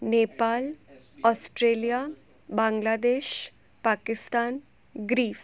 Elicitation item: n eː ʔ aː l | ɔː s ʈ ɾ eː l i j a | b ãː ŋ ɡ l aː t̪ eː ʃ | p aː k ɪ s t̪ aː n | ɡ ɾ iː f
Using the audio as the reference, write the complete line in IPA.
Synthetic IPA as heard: n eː p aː l | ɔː s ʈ ɾ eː l i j a | b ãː ŋ ɡ l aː d̪ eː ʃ | p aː k ɪ s t̪ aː n | ɡ ɾ iː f